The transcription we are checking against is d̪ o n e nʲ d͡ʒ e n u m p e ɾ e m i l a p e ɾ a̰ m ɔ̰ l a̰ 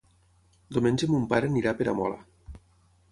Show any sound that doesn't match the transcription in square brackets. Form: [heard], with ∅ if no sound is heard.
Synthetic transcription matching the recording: d̪ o [m] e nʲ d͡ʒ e [m] u m p [a] ɾ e [n] i [ɾ] a p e ɾ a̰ m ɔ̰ l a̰